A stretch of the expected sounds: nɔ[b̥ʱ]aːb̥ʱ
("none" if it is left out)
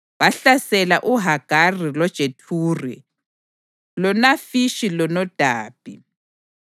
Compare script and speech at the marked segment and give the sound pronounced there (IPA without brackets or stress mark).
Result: d̥ʱ